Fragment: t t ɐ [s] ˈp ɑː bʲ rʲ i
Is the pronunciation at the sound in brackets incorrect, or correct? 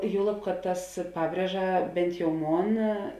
correct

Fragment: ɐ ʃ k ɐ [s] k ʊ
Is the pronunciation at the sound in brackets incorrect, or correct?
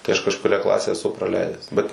incorrect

